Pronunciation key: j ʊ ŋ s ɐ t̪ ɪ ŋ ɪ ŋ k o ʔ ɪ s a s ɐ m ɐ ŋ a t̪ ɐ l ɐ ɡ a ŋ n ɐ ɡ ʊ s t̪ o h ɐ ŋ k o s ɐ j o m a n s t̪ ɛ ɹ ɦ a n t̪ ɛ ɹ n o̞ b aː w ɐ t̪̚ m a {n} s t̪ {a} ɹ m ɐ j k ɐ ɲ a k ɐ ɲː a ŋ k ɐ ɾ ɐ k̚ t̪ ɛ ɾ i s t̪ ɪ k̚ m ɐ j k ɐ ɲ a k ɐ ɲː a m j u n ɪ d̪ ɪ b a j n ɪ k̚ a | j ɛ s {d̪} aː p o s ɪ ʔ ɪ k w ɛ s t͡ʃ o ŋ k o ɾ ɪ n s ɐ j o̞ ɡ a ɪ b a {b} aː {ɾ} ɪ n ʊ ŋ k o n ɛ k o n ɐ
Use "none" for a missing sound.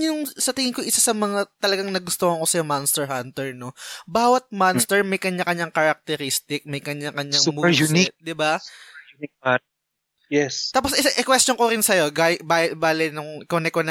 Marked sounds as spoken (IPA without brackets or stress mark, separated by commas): n, ɛ, t̪, b, l